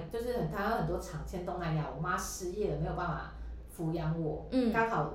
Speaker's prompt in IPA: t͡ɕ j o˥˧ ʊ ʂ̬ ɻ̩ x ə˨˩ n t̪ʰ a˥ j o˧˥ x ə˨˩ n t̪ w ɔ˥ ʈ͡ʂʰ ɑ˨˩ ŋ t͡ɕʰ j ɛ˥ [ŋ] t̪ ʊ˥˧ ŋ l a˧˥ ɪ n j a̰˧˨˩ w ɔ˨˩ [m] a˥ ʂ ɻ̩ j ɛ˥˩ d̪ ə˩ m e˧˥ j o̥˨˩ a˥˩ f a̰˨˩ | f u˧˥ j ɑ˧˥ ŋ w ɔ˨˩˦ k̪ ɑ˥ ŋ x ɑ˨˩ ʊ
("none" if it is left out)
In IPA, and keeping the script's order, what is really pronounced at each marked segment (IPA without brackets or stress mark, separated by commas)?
n, m